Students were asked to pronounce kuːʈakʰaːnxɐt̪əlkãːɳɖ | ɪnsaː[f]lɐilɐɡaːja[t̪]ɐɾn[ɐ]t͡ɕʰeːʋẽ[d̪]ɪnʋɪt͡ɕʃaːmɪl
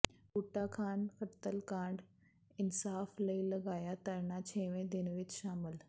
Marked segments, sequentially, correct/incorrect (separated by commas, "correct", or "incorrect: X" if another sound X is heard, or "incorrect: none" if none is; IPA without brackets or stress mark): correct, correct, incorrect: a, correct